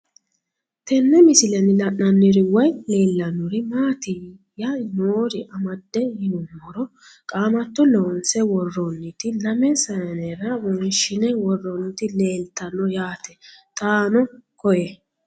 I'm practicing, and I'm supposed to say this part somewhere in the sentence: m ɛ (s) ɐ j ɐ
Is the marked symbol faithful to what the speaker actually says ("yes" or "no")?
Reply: yes